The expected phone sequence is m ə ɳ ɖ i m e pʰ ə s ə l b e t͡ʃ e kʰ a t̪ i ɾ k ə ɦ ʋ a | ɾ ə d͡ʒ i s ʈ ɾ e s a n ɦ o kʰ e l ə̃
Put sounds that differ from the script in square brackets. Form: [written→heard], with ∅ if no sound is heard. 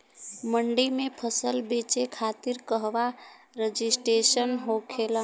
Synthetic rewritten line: m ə ɳ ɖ i m e pʰ ə s ə l b e t͡ʃ e kʰ a t̪ i ɾ k ə ɦ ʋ a | ɾ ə d͡ʒ i s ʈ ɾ e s [a→ə] n ɦ o kʰ e l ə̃